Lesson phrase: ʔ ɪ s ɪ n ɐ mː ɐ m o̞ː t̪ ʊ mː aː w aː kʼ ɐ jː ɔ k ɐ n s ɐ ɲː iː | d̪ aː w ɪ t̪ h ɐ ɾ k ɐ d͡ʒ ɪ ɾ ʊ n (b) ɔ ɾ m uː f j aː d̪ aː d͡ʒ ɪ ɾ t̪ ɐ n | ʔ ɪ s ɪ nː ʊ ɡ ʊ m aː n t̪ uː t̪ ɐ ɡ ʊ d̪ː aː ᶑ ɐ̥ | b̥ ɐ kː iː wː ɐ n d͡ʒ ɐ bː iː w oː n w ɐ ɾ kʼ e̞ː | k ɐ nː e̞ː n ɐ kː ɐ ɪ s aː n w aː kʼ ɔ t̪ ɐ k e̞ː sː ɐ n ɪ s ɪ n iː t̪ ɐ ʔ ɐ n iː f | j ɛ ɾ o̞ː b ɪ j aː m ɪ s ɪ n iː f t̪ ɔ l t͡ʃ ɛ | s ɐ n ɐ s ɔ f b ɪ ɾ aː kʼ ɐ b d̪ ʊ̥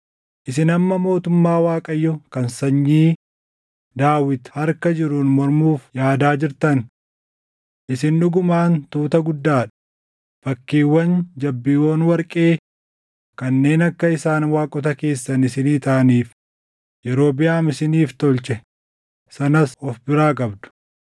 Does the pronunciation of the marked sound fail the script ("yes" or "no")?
yes